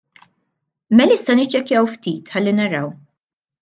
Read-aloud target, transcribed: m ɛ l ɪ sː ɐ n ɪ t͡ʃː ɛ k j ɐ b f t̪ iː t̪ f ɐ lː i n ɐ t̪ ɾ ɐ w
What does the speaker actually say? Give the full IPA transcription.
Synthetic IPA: m ɛ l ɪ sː ɐ n ɪ t͡ʃː ɛ k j ɐ w f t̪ iː t̪ ħ ɐ lː i n ɐ ɾ ɐ w